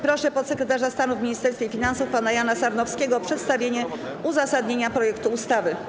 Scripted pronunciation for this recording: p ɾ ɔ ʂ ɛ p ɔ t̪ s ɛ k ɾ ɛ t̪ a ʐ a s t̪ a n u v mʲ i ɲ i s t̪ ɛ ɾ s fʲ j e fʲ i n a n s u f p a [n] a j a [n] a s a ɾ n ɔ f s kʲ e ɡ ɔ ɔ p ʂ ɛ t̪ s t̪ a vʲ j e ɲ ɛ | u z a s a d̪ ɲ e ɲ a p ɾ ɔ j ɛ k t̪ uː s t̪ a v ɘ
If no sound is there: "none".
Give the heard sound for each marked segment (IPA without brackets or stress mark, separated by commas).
n, n